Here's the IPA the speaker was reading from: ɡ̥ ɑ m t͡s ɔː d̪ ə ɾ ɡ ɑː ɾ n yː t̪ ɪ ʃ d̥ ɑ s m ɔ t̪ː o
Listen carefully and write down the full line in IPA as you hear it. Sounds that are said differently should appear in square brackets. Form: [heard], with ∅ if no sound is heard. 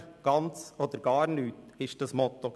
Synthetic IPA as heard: ɡ̥ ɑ [n] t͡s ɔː d̪ ə ɾ ɡ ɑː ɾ n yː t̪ ɪ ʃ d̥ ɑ s m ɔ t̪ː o